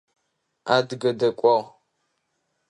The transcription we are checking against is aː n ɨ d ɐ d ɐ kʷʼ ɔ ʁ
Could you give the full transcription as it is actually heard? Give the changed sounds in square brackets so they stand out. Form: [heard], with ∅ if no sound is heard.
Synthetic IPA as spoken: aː [d] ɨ [ɡ] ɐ d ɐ kʷʼ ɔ ʁ